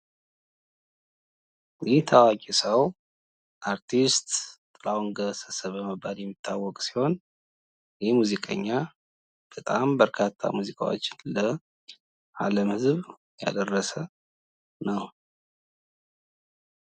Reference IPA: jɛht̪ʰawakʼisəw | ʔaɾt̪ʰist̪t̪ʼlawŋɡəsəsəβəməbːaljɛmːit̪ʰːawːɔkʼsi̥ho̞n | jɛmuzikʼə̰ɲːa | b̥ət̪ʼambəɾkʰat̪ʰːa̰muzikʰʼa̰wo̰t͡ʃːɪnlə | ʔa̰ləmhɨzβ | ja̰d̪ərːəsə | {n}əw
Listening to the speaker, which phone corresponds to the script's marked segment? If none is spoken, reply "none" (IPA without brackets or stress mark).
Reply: n